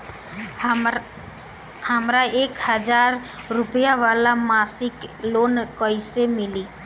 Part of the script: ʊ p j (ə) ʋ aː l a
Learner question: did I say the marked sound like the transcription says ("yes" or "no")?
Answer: no